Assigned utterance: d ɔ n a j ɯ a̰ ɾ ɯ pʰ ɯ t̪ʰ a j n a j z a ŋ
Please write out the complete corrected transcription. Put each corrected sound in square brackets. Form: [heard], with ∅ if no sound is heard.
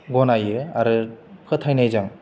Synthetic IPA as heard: [ɡ] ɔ n a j ɯ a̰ ɾ ɯ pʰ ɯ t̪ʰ a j n a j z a ŋ

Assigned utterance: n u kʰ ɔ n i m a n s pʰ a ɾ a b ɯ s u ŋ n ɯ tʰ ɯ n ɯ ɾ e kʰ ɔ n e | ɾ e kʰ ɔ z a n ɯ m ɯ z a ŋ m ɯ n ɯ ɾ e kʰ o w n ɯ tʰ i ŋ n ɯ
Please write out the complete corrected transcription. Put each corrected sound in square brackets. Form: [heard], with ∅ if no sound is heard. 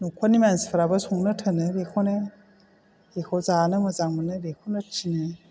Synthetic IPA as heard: n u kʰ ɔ n i m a n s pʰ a ɾ a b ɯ s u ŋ n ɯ tʰ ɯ n ɯ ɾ e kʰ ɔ n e | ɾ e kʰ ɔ z a n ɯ m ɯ z a ŋ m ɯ n ɯ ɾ e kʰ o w n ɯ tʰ i [∅] n ɯ

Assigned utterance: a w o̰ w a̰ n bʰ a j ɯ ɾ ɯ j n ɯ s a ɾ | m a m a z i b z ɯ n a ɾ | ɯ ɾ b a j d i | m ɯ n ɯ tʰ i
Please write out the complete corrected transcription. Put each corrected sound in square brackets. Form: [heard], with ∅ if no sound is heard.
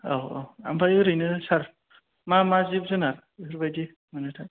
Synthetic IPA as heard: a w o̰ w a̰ [m] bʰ a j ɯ ɾ ɯ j n ɯ s a ɾ | m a m a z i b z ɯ n a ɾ | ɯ ɾ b a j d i | m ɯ n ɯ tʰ [a]

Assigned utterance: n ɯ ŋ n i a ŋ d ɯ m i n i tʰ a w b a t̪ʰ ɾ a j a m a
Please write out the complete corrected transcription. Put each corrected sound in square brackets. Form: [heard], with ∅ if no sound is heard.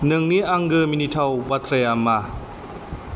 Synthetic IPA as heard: n ɯ ŋ n i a ŋ [ɡ] ɯ m i n i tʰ a w b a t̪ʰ ɾ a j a m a

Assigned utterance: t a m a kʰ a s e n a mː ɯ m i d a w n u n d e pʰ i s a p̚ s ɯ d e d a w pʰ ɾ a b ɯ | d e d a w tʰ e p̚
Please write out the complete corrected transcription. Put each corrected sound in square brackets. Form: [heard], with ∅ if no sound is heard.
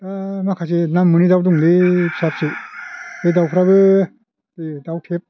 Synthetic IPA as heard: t a m a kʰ a s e n a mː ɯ [n] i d a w [d] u [ŋ] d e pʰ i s a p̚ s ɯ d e d a w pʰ ɾ a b ɯ | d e d a w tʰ e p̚

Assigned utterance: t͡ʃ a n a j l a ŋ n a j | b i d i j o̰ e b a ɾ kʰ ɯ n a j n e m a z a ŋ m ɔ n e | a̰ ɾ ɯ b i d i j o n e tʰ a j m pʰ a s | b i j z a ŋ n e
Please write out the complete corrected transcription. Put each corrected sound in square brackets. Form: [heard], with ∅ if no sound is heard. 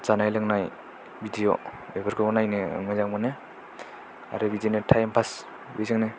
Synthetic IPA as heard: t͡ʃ a n a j l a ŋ n a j | b i d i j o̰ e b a ɾ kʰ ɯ n a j n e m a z a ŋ m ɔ n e | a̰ ɾ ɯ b i d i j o n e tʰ a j m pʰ a s | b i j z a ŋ n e

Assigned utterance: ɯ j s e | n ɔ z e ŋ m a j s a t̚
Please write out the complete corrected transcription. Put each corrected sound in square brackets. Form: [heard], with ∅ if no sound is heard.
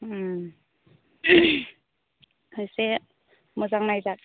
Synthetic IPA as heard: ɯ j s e | [m] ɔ z [a] ŋ [n] a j [z] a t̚

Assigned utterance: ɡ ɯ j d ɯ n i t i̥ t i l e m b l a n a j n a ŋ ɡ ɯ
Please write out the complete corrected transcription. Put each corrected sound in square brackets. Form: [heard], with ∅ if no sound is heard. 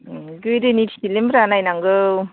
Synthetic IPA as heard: ɡ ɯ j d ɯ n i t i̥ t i l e m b [ɾ] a n a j n a ŋ ɡ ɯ

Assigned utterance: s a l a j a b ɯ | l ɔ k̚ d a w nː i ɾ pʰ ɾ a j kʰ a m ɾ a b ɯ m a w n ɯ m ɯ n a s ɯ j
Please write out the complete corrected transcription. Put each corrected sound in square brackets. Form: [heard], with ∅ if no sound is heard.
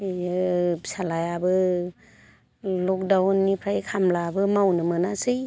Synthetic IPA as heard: s a l a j a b ɯ | l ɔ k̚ d a w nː i [∅] pʰ ɾ a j kʰ a m [l] a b ɯ m a w n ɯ m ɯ n a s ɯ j

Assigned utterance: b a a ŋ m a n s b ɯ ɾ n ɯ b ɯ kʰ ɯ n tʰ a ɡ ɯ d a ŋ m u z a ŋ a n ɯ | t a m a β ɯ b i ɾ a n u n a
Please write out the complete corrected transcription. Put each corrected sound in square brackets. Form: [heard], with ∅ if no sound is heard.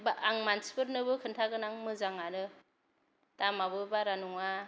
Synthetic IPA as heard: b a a ŋ m a n s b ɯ ɾ n ɯ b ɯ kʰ ɯ n tʰ a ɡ ɯ [n] a ŋ m [ɯ] z a ŋ a n ɯ | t a m a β ɯ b [a] ɾ a n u [ŋ] a

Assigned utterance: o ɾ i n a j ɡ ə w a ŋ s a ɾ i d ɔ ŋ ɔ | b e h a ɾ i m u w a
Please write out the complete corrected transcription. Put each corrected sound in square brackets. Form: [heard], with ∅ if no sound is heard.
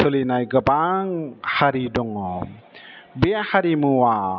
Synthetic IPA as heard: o [l] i n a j ɡ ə [b] a ŋ [h] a ɾ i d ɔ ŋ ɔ | b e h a ɾ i m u w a

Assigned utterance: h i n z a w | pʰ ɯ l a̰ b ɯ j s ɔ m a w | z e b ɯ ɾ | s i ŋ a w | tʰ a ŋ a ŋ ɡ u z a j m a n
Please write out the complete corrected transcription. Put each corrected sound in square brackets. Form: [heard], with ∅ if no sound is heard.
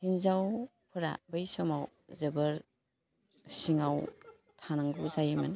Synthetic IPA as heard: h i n z a w | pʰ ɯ [ɾ] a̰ b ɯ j s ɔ m a w | z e b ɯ ɾ | s i ŋ a w | tʰ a [n] a ŋ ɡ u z a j m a n

